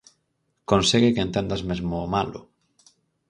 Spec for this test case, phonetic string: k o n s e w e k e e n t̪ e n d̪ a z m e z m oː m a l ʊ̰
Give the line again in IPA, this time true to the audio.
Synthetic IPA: k o n s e ɣ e k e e n t̪ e n d̪ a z m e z m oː m a l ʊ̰